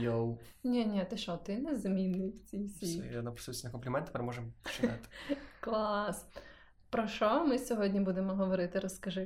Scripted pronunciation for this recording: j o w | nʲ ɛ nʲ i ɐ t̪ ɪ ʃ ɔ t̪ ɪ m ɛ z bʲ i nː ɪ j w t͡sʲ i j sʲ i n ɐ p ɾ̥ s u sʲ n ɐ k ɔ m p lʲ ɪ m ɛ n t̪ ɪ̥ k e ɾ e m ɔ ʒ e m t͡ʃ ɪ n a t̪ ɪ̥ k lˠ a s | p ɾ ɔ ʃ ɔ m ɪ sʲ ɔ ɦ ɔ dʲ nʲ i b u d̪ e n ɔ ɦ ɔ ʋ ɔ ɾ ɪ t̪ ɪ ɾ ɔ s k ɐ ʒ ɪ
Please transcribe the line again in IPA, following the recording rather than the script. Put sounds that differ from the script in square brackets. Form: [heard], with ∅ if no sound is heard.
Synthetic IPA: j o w | nʲ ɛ nʲ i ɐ t̪ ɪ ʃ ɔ t̪ ɪ [n] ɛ z [mʲ] i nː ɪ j w t͡sʲ i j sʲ i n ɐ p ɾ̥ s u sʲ n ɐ k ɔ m p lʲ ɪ m ɛ n t̪ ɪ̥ [p] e ɾ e m ɔ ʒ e m t͡ʃ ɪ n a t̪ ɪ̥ k lˠ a s | p ɾ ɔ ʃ ɔ m ɪ sʲ ɔ ɦ ɔ dʲ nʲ i b u d̪ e [m] ɔ ɦ ɔ ʋ ɔ ɾ ɪ t̪ ɪ ɾ ɔ s k ɐ ʒ ɪ